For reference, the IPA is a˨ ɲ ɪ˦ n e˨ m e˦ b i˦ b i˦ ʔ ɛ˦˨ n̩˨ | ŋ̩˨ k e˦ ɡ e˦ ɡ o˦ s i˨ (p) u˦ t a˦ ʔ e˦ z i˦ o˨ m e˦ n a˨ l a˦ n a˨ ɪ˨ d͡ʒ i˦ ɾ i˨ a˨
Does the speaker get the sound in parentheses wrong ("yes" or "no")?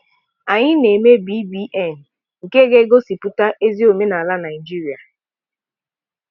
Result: no